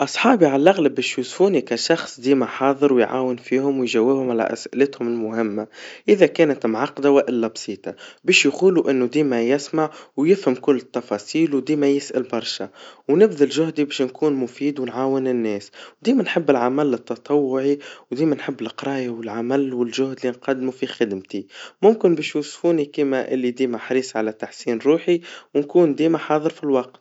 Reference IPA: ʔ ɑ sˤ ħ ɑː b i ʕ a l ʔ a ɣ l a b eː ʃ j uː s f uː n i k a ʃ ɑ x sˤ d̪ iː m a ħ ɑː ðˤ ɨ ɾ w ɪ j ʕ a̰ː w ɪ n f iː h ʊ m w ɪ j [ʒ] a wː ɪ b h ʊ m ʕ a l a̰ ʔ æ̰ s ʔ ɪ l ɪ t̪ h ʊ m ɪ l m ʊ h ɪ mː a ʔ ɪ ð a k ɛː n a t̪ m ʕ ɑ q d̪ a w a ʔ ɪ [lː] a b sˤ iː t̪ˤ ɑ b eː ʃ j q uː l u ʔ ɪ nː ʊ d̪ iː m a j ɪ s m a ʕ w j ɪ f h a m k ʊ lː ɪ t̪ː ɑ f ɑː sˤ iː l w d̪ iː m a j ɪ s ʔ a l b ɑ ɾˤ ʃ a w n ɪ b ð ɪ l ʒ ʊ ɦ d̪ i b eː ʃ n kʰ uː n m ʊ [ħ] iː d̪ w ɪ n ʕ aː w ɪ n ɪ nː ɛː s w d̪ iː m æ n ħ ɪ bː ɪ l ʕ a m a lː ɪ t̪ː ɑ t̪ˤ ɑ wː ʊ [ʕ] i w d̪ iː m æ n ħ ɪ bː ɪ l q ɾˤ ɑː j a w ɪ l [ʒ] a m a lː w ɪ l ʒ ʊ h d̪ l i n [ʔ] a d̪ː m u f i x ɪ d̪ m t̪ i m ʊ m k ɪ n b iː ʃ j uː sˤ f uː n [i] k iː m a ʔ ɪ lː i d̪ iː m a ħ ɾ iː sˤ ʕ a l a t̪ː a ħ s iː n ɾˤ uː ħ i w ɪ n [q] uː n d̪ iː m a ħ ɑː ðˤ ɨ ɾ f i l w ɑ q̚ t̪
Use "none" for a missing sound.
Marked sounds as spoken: ʒ, lː, f, ʕ, ʕ, q, i, k

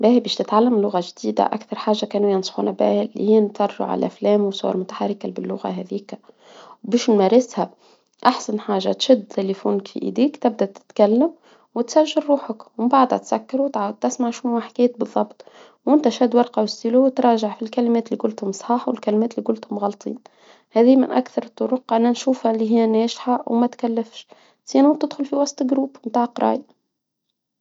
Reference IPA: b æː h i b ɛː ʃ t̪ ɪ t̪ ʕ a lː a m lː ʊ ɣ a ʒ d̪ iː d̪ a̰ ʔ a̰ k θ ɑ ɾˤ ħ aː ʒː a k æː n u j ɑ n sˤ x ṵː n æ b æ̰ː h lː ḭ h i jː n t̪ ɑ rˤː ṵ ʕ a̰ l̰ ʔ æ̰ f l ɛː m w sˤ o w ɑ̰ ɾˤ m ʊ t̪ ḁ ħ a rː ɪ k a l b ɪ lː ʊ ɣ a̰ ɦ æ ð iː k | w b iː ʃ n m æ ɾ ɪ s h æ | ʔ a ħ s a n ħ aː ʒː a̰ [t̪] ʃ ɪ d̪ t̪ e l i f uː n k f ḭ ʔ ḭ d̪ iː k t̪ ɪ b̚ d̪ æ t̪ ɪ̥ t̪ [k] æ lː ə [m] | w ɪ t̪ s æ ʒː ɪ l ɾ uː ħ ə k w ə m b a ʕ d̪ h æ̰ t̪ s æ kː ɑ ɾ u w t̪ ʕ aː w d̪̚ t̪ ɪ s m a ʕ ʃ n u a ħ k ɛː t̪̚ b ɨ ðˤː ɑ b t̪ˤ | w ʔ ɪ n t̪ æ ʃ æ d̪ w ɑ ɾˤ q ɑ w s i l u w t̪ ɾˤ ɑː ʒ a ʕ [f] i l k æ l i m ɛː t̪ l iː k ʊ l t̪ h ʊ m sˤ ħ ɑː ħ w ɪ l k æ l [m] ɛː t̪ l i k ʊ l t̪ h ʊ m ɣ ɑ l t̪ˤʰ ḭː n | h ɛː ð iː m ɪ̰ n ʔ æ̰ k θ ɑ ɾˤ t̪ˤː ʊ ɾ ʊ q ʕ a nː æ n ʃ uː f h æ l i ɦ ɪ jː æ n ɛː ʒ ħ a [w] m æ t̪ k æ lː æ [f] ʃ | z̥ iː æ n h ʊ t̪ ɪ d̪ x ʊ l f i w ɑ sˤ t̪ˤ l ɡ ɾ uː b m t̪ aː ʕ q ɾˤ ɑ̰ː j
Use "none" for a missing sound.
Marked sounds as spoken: t̪, k, m, f, m, w, f

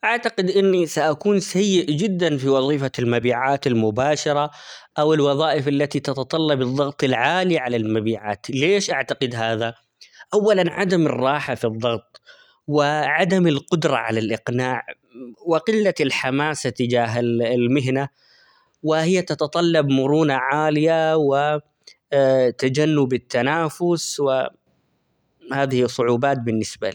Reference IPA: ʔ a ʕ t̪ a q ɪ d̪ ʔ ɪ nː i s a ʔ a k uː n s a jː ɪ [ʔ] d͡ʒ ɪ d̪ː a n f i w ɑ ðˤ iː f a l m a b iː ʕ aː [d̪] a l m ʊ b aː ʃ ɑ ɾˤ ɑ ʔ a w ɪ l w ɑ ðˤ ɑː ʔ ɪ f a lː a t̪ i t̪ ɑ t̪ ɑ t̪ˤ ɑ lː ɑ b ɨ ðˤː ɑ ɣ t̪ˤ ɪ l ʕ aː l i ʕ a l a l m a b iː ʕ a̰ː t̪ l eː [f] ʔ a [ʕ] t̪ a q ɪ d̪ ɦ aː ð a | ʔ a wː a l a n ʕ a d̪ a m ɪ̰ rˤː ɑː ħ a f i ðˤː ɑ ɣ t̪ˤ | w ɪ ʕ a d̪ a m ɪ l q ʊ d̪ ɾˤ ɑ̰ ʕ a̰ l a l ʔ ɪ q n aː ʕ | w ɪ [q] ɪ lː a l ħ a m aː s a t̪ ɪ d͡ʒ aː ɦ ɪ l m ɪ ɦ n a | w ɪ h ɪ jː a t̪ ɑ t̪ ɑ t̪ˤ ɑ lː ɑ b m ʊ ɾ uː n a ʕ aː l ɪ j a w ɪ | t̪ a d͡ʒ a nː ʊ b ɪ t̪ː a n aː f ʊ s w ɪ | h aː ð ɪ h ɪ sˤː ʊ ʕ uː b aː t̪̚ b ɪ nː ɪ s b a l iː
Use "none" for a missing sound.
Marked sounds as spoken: ʔ, t̪, ʃ, ʕ, q

